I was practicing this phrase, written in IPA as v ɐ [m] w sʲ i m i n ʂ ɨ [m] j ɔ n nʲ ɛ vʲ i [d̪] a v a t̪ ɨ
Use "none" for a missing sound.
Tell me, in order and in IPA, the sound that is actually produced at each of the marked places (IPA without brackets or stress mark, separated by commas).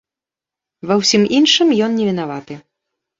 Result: none, m, n̪